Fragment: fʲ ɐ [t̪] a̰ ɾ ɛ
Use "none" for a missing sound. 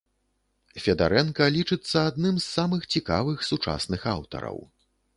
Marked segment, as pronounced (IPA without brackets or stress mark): d̪